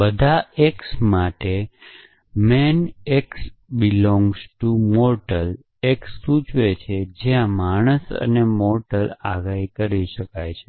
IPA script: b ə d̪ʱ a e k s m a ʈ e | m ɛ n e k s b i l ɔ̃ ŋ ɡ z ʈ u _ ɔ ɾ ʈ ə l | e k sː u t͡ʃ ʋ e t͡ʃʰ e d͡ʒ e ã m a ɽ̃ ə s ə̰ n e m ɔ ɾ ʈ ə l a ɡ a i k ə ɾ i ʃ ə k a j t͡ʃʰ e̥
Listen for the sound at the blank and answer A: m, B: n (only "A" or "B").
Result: A